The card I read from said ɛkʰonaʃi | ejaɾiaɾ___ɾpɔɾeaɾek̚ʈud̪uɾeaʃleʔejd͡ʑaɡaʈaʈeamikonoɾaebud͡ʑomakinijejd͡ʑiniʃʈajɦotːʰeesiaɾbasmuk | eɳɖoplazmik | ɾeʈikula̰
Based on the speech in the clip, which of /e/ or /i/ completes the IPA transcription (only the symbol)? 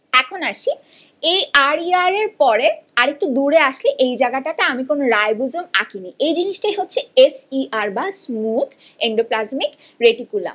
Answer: e